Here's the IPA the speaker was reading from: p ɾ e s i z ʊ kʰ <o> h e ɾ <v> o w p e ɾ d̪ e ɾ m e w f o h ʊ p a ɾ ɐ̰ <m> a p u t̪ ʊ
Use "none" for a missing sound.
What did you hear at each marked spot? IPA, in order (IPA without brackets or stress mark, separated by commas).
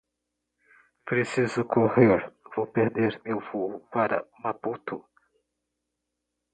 o, v, m